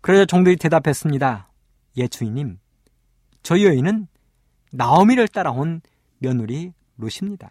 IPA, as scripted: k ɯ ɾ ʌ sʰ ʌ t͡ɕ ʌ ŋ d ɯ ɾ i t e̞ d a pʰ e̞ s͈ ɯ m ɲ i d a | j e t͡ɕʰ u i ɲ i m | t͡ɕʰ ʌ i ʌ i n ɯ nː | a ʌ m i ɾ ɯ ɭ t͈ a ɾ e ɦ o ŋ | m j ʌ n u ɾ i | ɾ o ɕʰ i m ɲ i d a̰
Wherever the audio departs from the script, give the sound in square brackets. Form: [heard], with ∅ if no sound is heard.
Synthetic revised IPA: k ɯ ɾ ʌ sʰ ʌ t͡ɕ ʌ ŋ d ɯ ɾ i t e̞ d a pʰ e̞ s͈ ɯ m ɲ i d a | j e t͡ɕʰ u i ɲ i m | [t͡ɕ] ʌ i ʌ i n ɯ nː | a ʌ m i ɾ ɯ ɭ t͈ a ɾ [a] ɦ o [n] | m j ʌ n u ɾ i | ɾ o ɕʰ i m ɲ i d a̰